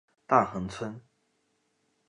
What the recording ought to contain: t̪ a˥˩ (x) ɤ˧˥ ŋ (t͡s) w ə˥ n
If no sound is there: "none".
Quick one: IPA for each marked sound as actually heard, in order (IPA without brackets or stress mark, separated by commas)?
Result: x, t͡sʰ